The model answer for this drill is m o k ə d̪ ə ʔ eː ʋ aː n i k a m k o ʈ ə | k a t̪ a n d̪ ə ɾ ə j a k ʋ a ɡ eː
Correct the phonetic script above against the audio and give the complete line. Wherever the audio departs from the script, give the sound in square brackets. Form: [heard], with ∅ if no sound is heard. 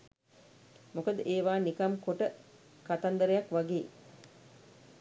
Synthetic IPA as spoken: m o k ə d̪ ə ʔ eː ʋ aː n i k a m k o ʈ ə | k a t̪ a n d̪ ə ɾ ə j a k ʋ a ɡ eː